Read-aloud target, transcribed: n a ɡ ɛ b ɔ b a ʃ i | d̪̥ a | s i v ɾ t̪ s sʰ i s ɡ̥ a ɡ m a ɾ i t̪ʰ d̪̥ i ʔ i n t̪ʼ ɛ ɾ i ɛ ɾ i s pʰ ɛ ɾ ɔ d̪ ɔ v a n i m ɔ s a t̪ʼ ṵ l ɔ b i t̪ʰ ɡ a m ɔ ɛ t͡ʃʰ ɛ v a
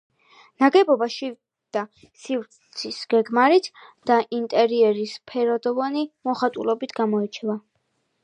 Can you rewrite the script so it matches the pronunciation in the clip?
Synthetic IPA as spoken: n a ɡ ɛ b ɔ b a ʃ i | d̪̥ a | s i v ɾ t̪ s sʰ i s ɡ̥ ɛ ɡ m a ɾ i t̪ʰ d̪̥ a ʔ i n t̪ʼ ɛ ɾ i ɛ ɾ i s pʰ ɛ ɾ ɔ d̪ ɔ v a n i m ɔ χ a t̪ʼ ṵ l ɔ b i t̪ʰ ɡ a m ɔ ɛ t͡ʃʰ ɛ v a

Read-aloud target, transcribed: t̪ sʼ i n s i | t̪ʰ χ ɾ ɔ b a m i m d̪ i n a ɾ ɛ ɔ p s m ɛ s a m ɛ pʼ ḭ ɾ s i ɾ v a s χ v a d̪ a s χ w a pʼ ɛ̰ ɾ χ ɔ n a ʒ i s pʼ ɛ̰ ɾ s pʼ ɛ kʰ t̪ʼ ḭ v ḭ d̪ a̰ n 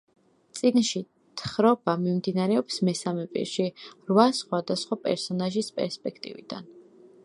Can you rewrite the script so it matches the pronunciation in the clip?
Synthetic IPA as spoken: t̪ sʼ i n ʃ i | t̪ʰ χ ɾ ɔ b a m i m d̪ i n a ɾ ɛ ɔ p s m ɛ s a m ɛ pʼ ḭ ɾ ʃ i ɾ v a s χ w a d̪ a s χ w a pʼ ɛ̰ ɾ s ɔ n a ʒ i s pʼ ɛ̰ ɾ s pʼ ɛ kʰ t̪ʼ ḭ v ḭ d̪ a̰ n

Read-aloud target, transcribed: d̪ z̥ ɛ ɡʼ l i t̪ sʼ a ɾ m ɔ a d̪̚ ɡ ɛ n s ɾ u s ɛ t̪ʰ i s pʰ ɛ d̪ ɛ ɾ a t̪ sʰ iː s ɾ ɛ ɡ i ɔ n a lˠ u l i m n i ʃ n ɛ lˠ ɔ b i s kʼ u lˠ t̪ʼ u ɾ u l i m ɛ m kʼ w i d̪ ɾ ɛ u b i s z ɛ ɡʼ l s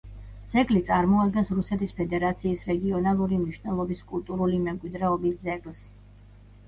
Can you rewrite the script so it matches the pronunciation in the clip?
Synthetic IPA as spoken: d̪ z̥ ɛ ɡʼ l i t̪ sʼ a ɾ m ɔ a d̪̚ ɡ ɛ n s ɾ u s ɛ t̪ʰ i s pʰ ɛ d̪ ɛ ɾ a t̪ sʰ iː s ɾ ɛ ɡ i ɔ n a lˠ u ɾ i m n i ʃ n ɛ lˠ ɔ b i s kʼ u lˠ t̪ʼ u ɾ u l i m ɛ m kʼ w i d̪ ɾ ɛ ɔ b i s z ɛ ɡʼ l s

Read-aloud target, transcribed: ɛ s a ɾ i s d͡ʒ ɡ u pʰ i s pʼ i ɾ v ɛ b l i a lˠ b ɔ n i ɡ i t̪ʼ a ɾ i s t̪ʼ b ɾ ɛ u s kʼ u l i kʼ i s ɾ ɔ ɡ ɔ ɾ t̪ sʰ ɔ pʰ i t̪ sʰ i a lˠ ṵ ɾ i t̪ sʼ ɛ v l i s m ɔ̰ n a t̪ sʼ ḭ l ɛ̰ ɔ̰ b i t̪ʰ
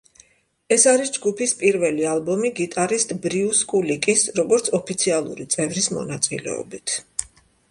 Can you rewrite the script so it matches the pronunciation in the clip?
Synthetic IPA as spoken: ɛ s a ɾ i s d͡ʒ ɡ u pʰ i s pʼ i ɾ v ɛ l i a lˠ b ɔ m i ɡ i t̪ʼ a ɾ i s t̪ʼ b ɾ i u s kʼ u l i kʼ i s ɾ ɔ ɡ ɔ ɾ t̪ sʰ ɔ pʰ i t̪ sʰ i a lˠ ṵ ɾ i t̪ sʼ ɛ v ɾ i s m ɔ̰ n a t̪ sʼ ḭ l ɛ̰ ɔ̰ b i t̪ʰ

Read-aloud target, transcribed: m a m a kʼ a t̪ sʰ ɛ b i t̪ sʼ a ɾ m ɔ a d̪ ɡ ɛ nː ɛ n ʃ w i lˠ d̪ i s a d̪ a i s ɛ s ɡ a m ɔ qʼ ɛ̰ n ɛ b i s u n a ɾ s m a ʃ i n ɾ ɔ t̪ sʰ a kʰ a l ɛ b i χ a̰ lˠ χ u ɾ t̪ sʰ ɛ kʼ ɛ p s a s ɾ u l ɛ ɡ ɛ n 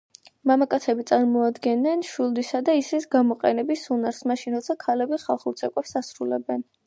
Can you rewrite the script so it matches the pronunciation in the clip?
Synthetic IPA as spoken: m a m a kʼ a t̪ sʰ ɛ b i t̪ sʼ a ɾ m ɔ a d̪ ɡ ɛ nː ɛ n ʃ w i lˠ d̪ i s a d̪ a i s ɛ s ɡ a m ɔ qʼ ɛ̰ n ɛ b i s u n a ɾ s m a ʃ i n ɾ ɔ t̪ sʰ a kʰ a l ɛ b i χ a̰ lˠ χ u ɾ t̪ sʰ ɛ kʼ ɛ p s a s ɾ u l ɛ b ɛ n

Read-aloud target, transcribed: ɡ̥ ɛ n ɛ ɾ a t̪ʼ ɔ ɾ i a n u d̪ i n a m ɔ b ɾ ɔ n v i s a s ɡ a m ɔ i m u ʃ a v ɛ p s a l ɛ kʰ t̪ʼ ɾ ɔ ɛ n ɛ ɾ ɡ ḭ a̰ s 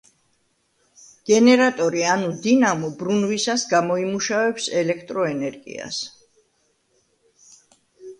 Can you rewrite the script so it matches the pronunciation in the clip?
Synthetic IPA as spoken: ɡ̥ ɛ n ɛ ɾ a t̪ʼ ɔ ɾ i a n u d̪ i n a m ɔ b ɾ u n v i s a s ɡ a m ɔ i m u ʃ a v ɛ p s ɛ l ɛ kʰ t̪ʼ ɾ ɔ ɛ n ɛ ɾ ɡ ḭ a̰ s

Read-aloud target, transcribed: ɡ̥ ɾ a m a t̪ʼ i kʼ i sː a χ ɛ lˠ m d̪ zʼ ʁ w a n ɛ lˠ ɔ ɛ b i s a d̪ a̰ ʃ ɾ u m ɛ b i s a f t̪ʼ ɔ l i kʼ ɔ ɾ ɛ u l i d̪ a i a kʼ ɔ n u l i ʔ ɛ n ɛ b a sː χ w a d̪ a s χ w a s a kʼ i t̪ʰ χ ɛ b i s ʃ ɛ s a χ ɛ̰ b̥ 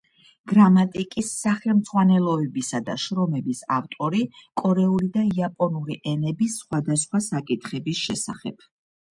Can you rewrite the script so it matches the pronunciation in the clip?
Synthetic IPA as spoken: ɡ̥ ɾ a m a t̪ʼ i kʼ i sː a χ ɛ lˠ m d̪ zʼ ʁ w a n ɛ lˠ ɔ ɛ b i s a d̪ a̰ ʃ ɾ ɔ m ɛ b i s a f t̪ʼ ɔ ɾ i kʼ ɔ ɾ ɛ u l i d̪ a i a pʼ ɔ n u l i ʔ ɛ n ɛ b i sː χ w a d̪ a s χ w a s a kʼ i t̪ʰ χ ɛ b i s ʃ ɛ s a χ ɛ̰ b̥

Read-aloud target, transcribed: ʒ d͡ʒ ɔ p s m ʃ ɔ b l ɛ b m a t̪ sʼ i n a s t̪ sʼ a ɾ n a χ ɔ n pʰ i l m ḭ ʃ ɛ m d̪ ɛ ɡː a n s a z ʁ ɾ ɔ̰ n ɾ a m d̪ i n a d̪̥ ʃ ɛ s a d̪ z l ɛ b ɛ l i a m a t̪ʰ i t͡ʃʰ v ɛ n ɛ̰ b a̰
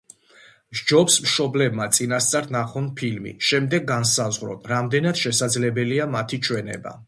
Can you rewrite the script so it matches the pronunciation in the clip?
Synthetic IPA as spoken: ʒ d͡ʒ ɔ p s m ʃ ɔ b l ɛ b m a t̪ sʼ i n a s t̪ sʼ a ɾ n a χ ɔ n pʰ i l m ḭ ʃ ɛ m d̪ ɛ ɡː a n s a z ʁ ɾ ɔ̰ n ɾ a m d̪ ɛ n a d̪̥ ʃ ɛ s a d̪ z l ɛ b ɛ l i a m a t̪ʰ i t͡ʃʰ w ɛ n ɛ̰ b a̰

